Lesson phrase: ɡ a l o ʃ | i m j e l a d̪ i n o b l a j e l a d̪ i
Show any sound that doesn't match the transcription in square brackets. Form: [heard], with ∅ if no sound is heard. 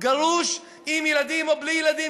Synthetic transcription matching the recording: ɡ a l [u] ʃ | i m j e l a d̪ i [m] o b l [i] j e l a d̪ i